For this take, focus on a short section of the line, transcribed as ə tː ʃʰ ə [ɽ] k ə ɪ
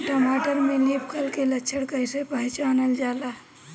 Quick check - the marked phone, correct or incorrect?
correct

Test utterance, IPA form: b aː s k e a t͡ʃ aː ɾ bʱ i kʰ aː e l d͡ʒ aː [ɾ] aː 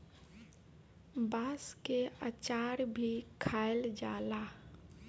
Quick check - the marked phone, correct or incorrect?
incorrect: l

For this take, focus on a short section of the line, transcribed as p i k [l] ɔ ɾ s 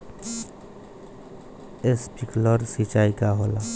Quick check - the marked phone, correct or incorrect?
correct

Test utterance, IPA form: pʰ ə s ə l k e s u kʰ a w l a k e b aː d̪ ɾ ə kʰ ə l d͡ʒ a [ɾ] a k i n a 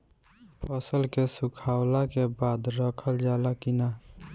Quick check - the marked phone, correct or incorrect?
incorrect: l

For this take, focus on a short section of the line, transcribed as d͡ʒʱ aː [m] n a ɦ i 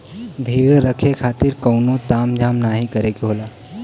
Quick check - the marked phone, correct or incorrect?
correct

